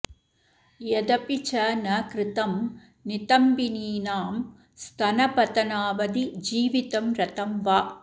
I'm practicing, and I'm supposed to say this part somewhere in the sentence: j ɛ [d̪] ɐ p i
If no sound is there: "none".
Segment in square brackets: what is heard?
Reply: d̪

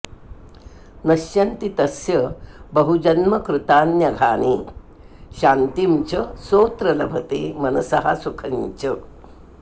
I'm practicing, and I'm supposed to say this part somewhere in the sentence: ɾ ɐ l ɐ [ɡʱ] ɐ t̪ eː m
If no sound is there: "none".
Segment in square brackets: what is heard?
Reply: bʱ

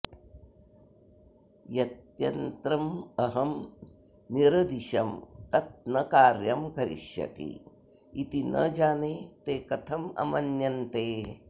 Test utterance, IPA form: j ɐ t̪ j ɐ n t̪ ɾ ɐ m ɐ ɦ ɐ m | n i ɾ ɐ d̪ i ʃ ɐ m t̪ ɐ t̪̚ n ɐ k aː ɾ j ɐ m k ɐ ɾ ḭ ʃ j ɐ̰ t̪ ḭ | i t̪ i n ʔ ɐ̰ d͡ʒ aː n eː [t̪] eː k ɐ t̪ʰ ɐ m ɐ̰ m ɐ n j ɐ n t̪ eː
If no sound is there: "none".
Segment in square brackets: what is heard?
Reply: t̪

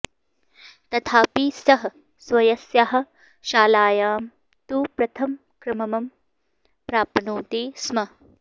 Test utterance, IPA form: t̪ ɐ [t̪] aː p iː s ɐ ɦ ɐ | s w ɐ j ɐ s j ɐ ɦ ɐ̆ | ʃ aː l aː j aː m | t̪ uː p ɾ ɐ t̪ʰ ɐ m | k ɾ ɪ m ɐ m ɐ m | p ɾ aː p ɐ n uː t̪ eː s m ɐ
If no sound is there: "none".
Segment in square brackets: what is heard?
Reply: t̪ʰ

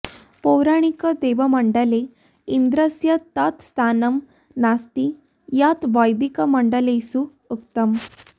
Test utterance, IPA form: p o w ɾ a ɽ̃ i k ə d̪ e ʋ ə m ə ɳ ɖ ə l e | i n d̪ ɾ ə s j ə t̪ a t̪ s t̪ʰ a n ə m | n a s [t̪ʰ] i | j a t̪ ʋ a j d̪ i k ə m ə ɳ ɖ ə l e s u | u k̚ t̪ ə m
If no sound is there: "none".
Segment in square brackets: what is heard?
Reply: t̪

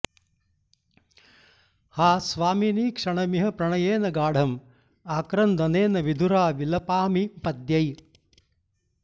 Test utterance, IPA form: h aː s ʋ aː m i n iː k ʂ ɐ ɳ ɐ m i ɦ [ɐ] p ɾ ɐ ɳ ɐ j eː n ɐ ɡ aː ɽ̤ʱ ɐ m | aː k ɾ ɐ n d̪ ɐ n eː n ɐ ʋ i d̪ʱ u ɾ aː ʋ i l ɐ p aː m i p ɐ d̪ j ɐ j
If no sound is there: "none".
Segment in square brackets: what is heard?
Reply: ɐ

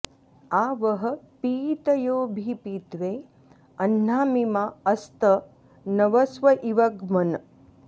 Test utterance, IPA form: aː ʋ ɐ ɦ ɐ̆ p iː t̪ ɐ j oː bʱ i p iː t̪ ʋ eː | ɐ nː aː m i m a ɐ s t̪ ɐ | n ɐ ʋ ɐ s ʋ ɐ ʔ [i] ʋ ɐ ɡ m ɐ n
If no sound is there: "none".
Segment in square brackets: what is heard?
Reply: i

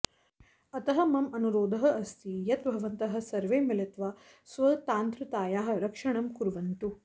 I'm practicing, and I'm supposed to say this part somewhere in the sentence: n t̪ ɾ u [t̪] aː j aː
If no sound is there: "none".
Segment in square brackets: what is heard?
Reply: t̪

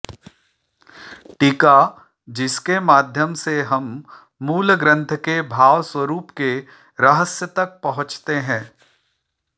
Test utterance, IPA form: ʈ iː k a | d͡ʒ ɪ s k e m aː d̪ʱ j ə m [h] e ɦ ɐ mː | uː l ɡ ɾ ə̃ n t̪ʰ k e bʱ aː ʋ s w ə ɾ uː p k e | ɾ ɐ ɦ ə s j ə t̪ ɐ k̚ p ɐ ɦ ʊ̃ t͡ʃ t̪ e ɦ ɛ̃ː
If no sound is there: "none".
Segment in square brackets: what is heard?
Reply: s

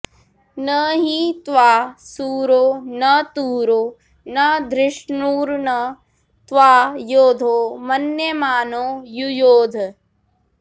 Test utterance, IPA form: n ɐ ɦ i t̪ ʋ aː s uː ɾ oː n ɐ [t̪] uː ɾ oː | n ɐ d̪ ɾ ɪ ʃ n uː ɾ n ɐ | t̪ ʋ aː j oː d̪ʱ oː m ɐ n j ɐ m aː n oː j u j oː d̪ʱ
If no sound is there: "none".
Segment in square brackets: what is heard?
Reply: t̪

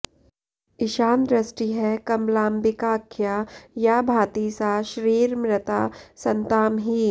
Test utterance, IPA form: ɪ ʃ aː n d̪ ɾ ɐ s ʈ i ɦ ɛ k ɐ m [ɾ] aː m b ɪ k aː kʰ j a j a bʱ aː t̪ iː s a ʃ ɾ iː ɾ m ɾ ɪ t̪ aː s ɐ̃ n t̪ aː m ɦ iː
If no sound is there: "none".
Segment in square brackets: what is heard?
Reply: l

